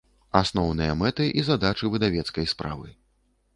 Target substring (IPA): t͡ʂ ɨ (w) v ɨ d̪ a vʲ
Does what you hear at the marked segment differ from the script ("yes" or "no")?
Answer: yes